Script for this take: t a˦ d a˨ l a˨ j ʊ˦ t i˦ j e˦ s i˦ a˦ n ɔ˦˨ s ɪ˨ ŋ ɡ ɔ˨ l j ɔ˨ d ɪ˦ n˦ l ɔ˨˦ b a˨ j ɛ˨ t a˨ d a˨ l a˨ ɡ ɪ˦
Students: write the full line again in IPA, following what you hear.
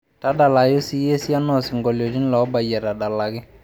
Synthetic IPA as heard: t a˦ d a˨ l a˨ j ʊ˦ s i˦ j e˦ s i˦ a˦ n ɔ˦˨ s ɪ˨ ŋ ɡ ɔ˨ l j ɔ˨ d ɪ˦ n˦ l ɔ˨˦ b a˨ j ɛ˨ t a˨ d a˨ l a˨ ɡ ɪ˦